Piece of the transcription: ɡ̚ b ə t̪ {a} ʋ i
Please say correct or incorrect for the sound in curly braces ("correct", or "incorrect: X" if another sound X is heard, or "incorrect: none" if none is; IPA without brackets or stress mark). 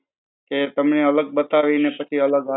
correct